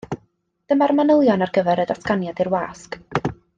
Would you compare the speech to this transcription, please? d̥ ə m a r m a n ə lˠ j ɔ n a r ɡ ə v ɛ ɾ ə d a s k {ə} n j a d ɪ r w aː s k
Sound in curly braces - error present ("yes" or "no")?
yes